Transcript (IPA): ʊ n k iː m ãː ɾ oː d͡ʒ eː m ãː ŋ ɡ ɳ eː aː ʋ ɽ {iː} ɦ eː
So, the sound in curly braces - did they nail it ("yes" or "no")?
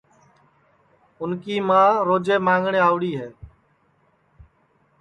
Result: yes